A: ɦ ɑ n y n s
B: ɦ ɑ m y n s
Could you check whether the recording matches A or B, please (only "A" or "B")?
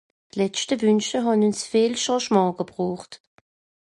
A